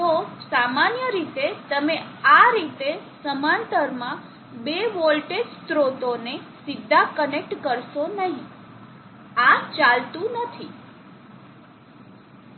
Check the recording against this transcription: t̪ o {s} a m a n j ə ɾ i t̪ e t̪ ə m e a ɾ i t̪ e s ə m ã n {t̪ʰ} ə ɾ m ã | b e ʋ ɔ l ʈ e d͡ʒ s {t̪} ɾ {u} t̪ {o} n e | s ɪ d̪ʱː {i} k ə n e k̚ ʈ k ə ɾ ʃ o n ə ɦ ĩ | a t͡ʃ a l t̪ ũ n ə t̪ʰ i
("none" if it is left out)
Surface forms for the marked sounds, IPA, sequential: s, t̪, t̪, o, o, a

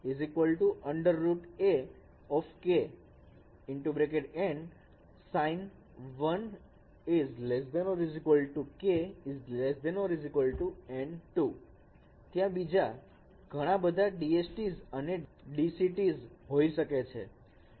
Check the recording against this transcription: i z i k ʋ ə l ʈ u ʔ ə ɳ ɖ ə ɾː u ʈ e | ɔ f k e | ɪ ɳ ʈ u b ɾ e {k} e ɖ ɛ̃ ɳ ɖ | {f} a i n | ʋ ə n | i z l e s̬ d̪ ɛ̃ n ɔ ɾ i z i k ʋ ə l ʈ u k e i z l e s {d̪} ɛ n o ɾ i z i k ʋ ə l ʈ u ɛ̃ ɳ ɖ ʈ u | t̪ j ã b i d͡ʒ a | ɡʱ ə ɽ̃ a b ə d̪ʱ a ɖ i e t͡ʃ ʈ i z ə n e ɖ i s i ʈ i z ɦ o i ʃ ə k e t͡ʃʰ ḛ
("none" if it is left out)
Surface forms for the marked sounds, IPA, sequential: k, s, d̪

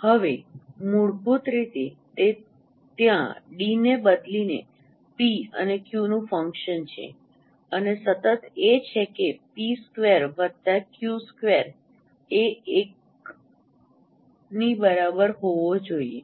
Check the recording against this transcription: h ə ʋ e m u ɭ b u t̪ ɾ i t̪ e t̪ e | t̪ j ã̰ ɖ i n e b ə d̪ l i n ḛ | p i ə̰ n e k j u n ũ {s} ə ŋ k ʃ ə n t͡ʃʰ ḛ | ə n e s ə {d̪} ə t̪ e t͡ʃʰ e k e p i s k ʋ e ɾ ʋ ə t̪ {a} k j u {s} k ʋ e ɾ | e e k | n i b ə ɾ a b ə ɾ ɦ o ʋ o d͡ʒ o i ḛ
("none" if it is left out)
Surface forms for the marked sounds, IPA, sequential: f, t̪, a, s

